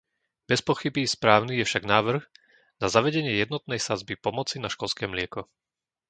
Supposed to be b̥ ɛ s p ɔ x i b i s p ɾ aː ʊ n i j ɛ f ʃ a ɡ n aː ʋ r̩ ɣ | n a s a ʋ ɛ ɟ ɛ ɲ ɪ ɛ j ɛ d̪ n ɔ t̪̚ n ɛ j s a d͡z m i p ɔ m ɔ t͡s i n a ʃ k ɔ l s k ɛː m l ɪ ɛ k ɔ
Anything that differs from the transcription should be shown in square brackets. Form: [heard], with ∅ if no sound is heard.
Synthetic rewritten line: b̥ ɛ s p ɔ x i b i s p ɾ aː ʊ n i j ɛ f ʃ a ɡ n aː ʋ r̩ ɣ | n a [z] a ʋ ɛ ɟ ɛ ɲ ɪ ɛ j ɛ d̪ n ɔ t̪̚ n ɛ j s a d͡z [b] i p ɔ m ɔ t͡s i n a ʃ k ɔ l s k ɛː m l ɪ ɛ k ɔ